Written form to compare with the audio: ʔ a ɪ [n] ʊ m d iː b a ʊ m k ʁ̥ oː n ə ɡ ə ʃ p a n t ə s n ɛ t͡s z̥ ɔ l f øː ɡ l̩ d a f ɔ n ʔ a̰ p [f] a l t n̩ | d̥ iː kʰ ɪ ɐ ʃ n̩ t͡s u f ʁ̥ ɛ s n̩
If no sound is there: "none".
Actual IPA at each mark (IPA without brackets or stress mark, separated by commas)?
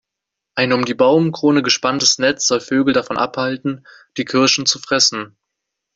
n, h